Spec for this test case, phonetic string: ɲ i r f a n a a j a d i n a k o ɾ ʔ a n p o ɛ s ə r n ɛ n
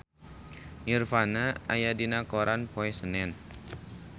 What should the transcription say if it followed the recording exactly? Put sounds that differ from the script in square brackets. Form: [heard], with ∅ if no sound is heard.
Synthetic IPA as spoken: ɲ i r f a n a a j a d i n a k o ɾ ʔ a n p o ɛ s ə [∅] n ɛ n